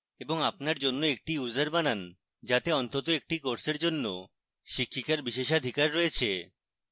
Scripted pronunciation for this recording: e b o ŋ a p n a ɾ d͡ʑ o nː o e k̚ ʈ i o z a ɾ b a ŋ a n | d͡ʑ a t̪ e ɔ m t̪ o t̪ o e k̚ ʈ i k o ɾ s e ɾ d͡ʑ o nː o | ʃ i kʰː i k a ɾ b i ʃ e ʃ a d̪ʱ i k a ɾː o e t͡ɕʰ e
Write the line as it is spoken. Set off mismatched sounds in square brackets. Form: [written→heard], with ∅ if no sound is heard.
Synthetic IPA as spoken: e b o ŋ a p n a ɾ d͡ʑ o nː o e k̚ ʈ i [o→u] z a ɾ b a [ŋ→n] a n | d͡ʑ a t̪ e ɔ [m→n] t̪ o t̪ o e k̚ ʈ i k o ɾ s e ɾ d͡ʑ o nː o | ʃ i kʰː i k a ɾ b i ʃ e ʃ a d̪ʱ i k a ɾː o e t͡ɕʰ e